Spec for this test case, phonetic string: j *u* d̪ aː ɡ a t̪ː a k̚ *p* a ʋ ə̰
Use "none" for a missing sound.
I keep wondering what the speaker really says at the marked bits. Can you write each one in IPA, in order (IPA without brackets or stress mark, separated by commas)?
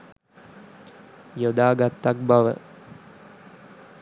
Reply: o, b